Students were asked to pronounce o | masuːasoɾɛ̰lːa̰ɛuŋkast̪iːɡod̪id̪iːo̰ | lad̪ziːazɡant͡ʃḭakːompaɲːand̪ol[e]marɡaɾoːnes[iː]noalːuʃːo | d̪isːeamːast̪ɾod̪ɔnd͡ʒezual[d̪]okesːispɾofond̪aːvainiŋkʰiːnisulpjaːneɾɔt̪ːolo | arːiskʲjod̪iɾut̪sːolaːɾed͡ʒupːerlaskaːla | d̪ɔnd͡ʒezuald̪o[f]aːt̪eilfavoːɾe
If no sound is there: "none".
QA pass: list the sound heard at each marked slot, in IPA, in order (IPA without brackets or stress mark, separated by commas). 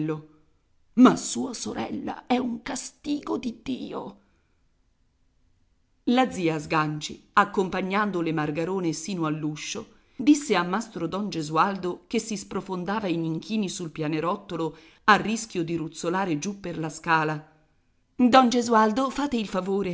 e, iː, d̪, f